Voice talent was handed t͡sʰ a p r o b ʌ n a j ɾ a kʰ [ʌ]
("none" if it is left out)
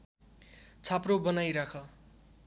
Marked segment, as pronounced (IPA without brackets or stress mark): ʌ